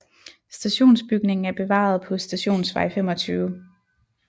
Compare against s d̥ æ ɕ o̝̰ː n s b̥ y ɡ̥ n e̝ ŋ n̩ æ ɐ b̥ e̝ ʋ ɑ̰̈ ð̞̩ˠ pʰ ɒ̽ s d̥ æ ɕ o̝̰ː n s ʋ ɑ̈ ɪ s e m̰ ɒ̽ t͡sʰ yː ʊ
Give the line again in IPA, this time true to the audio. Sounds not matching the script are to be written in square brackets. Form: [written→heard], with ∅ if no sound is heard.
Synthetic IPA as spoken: s d̥ æ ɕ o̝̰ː n s b̥ y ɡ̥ n e̝ ŋ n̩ æ ɐ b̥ e̝ ʋ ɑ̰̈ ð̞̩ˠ pʰ ɒ̽ s d̥ æ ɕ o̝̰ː n s ʋ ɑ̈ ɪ [s→f] e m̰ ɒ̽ t͡sʰ yː ʊ